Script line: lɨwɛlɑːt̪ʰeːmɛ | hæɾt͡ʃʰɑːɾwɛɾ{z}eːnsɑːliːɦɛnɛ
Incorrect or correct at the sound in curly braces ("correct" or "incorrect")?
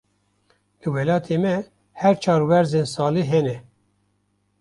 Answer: correct